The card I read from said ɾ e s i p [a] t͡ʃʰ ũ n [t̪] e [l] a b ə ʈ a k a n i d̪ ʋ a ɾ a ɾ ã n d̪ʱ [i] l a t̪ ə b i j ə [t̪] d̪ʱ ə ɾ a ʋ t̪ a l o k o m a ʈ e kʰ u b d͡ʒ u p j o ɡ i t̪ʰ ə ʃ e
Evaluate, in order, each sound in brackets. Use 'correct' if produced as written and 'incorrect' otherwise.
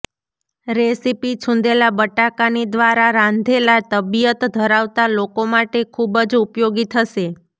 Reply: incorrect: i, incorrect: d̪, correct, incorrect: e, correct

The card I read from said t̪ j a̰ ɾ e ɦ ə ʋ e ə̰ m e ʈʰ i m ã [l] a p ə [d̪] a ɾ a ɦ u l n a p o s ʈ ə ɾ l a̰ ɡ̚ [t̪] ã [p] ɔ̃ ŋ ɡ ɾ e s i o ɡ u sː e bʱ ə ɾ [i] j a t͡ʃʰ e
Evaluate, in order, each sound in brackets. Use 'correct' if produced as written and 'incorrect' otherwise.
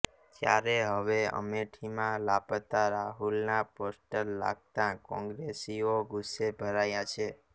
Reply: correct, incorrect: t̪, correct, incorrect: k, incorrect: a

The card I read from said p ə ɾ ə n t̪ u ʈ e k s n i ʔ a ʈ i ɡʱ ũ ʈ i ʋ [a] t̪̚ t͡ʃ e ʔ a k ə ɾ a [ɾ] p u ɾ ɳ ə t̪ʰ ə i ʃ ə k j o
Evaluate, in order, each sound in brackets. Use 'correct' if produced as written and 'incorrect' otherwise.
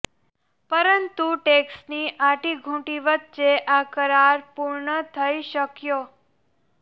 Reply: incorrect: ə, correct

